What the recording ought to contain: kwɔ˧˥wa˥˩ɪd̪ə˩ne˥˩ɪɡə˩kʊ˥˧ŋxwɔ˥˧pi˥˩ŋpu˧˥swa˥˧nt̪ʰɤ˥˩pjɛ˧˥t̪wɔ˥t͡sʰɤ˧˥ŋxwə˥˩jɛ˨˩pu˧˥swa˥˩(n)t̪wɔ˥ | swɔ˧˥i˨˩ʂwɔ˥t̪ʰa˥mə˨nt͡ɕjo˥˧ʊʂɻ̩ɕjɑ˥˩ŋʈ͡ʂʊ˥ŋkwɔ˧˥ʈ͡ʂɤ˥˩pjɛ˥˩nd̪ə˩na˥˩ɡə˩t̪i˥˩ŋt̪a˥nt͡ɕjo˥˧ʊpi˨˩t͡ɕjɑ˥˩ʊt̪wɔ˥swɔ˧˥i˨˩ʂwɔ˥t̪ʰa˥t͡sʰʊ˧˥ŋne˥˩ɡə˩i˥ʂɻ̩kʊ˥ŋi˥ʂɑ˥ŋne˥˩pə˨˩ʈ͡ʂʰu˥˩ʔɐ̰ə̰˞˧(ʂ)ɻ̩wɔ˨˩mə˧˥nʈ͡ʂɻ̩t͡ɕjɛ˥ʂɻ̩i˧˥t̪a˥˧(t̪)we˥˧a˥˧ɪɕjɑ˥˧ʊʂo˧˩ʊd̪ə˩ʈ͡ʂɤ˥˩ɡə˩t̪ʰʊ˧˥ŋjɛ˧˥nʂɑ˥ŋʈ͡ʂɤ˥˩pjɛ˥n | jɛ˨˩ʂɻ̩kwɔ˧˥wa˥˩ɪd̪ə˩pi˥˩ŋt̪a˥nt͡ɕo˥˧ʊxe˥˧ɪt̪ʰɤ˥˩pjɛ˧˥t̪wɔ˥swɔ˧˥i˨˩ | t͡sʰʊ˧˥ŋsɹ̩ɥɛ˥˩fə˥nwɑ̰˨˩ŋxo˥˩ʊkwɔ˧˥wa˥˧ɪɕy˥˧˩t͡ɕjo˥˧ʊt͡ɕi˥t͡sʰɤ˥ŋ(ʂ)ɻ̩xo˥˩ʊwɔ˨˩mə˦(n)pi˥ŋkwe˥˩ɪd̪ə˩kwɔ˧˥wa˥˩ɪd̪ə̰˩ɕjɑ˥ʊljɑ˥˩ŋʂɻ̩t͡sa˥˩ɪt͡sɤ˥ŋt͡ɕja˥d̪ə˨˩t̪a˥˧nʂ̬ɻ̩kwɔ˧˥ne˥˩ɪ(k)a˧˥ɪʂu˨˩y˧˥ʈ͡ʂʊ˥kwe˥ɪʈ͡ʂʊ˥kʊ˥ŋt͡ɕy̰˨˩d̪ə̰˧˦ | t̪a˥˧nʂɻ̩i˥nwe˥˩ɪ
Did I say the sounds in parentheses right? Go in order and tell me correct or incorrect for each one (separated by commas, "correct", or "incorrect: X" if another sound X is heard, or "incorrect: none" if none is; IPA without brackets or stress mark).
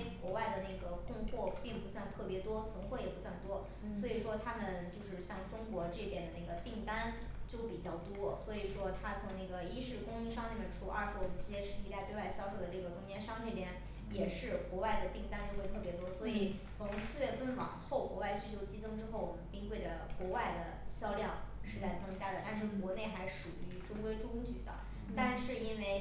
correct, correct, correct, incorrect: ʈ͡ʂ, correct, incorrect: x